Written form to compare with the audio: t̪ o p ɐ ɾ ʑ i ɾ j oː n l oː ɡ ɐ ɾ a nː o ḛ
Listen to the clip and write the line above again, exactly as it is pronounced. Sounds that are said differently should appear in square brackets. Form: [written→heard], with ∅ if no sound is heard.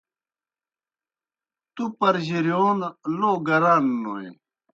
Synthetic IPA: t̪ [o→u] p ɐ ɾ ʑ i ɾ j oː n l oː ɡ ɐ ɾ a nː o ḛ